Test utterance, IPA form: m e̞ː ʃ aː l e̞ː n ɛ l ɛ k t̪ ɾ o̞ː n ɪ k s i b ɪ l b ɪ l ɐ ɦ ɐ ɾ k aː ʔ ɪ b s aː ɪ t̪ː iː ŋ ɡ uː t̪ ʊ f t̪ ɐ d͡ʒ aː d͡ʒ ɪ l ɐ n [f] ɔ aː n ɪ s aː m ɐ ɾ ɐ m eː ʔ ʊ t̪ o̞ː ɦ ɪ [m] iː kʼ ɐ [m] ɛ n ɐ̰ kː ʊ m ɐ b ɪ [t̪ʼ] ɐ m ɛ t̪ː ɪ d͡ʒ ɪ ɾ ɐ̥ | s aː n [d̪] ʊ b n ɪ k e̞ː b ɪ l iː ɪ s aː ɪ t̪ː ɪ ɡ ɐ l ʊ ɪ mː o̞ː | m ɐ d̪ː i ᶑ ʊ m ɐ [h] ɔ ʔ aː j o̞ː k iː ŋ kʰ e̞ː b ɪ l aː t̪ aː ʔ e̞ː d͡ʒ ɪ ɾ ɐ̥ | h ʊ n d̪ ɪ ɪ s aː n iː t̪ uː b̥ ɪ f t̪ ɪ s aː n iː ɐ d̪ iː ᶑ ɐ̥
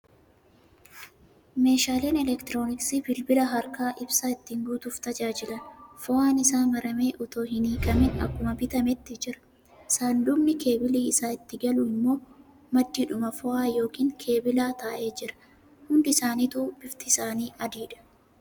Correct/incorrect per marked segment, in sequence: correct, incorrect: n, correct, incorrect: t̪, correct, incorrect: f

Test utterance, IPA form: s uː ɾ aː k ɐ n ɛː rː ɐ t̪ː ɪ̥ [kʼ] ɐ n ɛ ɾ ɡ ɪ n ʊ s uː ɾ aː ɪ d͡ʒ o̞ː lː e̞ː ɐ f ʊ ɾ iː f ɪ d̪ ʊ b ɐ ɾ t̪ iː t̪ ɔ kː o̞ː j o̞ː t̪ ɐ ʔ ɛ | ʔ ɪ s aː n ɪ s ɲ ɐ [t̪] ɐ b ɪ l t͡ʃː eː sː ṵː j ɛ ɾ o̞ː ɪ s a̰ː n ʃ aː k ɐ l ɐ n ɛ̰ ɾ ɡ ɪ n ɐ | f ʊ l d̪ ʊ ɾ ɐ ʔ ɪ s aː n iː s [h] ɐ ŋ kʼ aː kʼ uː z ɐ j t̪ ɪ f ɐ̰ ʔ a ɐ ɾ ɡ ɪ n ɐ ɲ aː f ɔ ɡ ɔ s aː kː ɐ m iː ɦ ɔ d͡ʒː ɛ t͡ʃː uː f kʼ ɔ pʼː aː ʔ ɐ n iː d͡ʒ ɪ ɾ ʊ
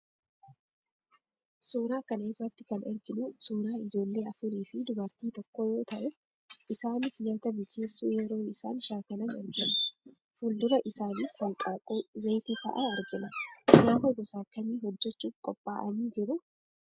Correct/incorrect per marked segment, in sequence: incorrect: k, correct, correct

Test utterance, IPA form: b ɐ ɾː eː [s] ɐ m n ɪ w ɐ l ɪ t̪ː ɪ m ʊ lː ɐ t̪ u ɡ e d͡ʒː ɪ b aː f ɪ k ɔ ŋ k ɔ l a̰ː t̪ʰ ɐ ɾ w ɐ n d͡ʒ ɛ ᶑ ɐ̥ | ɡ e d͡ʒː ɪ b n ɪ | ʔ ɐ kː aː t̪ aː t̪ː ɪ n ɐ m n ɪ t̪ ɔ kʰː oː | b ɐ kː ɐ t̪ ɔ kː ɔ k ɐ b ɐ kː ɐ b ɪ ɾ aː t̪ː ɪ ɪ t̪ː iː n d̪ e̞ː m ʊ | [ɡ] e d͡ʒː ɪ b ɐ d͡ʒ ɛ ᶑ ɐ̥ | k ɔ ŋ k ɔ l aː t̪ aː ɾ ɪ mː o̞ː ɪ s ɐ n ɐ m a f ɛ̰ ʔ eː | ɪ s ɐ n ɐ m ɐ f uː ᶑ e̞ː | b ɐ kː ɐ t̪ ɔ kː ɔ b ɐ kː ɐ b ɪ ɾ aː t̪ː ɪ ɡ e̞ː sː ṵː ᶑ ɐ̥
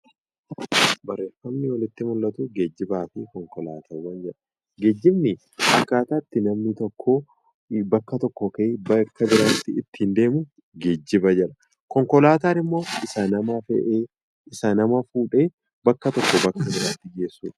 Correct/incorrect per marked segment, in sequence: incorrect: f, correct

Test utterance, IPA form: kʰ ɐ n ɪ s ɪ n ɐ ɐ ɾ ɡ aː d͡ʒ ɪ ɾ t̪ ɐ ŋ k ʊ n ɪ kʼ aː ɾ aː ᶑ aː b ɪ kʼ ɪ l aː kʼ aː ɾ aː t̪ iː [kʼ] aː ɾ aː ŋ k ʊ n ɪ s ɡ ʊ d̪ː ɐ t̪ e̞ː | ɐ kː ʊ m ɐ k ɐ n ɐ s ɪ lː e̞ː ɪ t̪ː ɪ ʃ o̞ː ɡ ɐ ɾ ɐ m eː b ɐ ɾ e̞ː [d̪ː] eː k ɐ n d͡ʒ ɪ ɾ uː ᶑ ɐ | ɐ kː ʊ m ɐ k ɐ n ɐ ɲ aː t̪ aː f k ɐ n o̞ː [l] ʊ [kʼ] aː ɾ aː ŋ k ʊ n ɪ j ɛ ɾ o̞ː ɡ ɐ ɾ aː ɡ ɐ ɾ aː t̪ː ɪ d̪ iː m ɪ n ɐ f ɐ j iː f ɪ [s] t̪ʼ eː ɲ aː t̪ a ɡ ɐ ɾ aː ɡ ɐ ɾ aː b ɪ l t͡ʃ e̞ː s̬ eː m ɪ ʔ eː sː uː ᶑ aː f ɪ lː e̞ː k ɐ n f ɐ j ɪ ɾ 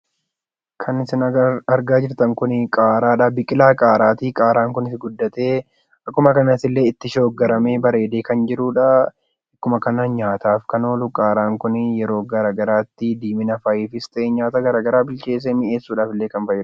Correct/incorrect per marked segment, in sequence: correct, incorrect: d̪, correct, correct, correct

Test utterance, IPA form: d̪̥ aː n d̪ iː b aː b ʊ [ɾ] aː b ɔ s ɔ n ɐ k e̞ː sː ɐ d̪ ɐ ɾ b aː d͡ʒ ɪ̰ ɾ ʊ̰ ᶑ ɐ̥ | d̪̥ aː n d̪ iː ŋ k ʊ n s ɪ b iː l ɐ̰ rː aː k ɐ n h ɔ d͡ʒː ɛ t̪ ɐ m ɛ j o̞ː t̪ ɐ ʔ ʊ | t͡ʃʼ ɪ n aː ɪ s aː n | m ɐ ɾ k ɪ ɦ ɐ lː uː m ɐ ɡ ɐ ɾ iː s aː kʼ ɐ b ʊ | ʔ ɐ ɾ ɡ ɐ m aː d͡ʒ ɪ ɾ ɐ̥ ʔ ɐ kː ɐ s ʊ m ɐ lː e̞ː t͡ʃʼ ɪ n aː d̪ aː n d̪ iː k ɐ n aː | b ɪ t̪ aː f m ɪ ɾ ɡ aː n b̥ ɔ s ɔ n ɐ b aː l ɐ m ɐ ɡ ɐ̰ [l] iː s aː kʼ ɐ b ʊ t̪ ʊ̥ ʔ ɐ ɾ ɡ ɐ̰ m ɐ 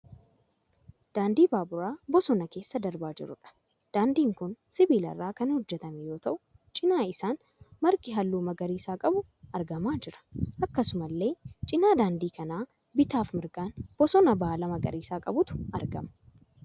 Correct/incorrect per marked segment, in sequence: correct, incorrect: ɾ

